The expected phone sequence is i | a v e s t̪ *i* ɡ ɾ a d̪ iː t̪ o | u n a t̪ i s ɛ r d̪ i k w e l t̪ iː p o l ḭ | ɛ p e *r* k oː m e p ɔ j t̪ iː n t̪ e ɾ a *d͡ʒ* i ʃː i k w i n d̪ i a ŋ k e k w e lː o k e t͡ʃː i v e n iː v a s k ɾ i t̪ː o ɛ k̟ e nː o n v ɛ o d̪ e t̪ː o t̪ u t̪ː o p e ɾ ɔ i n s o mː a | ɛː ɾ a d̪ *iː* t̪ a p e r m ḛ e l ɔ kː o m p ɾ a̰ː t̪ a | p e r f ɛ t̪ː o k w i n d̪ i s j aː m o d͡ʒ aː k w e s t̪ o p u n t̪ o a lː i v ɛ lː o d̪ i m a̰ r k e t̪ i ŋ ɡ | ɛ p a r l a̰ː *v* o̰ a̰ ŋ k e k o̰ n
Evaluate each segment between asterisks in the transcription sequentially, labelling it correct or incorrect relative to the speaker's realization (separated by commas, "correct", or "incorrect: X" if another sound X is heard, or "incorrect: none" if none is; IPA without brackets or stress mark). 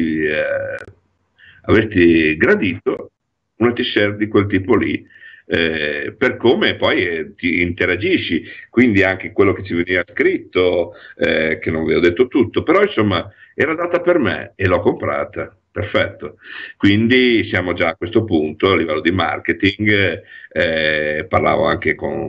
correct, correct, correct, incorrect: aː, correct